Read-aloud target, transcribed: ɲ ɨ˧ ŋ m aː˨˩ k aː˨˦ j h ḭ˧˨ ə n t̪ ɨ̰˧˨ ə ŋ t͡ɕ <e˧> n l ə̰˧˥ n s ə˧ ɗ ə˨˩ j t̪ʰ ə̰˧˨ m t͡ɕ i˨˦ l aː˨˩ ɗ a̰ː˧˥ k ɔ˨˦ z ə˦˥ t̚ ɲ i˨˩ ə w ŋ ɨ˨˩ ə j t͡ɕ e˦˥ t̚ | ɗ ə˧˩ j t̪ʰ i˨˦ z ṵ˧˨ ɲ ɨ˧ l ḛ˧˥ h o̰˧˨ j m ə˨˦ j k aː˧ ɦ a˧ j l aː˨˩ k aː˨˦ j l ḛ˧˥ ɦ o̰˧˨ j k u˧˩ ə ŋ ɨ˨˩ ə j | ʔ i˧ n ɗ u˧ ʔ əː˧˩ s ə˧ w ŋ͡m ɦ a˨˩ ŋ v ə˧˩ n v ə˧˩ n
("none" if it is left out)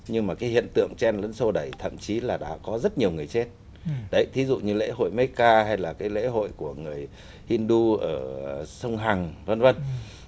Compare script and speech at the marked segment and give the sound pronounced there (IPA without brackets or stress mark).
ɛ˧